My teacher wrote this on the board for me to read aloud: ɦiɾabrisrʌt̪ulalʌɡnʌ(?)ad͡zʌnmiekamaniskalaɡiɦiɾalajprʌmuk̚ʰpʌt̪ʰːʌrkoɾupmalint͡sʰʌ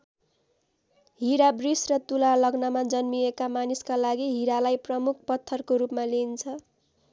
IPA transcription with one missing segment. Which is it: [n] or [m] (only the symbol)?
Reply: m